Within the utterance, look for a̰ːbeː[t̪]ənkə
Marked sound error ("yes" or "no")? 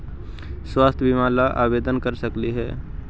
yes